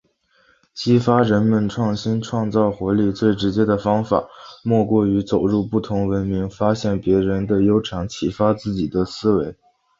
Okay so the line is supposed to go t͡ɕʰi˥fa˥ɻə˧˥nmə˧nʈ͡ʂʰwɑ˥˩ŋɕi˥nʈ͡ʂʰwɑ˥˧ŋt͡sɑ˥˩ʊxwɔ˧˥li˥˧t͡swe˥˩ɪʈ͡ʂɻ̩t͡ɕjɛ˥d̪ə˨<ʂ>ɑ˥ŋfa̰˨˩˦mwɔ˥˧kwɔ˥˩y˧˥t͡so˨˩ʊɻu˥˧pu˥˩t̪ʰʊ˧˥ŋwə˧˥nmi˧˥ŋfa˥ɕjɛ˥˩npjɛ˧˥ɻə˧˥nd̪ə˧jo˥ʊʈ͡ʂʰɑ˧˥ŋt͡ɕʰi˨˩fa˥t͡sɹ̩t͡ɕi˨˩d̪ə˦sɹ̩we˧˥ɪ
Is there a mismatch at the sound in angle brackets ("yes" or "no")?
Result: yes